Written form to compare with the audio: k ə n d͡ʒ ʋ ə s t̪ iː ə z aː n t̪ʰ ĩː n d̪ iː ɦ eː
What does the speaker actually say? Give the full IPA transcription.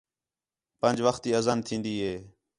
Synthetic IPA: p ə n d͡ʒ ʋ ə x t̪ iː ə z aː n t̪ʰ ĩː n d̪ iː ɦ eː